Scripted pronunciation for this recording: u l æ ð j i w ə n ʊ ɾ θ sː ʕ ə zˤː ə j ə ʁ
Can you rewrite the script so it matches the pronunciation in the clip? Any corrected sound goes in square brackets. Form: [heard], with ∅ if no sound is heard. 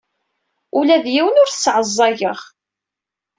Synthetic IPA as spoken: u l æ ð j i w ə n ʊ ɾ θ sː ʕ ə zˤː [ɑ] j ə ʁ